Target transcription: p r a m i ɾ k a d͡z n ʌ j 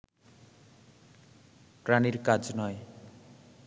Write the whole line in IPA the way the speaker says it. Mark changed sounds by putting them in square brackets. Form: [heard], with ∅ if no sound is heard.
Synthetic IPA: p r a [n] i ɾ k a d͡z n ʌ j